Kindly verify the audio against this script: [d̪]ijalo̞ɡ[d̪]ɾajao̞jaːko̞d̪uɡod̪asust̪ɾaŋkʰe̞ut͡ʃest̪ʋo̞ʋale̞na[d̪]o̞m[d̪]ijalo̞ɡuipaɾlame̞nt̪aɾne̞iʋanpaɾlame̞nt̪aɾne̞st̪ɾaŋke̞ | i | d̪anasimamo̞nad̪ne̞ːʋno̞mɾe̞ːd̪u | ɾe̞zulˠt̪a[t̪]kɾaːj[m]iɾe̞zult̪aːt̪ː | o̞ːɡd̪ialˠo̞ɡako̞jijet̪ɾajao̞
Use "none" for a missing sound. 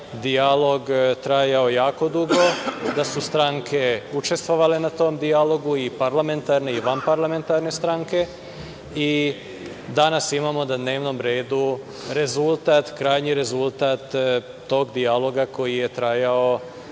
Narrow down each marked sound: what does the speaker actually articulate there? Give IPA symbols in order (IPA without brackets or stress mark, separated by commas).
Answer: d̪, t̪, t̪, d̪, t̪, ɲ